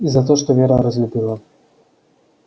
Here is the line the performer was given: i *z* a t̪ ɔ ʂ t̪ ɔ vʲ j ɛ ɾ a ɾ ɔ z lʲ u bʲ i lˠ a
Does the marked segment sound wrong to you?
no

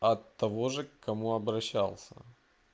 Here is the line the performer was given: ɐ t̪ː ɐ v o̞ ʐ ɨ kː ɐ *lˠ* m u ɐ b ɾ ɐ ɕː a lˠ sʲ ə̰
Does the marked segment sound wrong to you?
yes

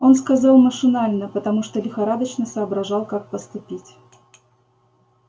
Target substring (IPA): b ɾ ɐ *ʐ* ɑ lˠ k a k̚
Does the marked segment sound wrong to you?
no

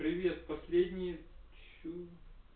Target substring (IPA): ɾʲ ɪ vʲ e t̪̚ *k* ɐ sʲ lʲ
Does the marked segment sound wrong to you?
yes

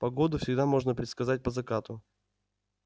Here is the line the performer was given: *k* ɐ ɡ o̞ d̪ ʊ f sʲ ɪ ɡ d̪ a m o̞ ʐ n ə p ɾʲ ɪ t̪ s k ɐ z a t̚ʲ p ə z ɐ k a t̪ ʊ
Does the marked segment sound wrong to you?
yes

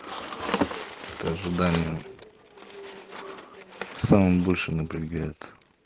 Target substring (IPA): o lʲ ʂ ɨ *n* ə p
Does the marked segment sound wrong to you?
no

